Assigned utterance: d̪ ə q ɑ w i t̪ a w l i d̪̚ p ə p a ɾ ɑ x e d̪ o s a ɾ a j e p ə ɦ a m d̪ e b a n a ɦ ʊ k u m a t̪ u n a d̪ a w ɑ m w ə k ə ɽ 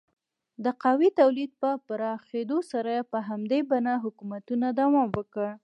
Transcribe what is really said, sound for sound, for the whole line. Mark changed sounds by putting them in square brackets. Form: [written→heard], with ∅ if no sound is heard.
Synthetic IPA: d̪ ə q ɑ w i t̪ a w l i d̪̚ p ə p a ɾ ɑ x e d̪ o s a ɾ a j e p ə ɦ a m d̪ e b a n a ɦ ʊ k u m a t̪ u n a d̪ a w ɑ m w ə k ə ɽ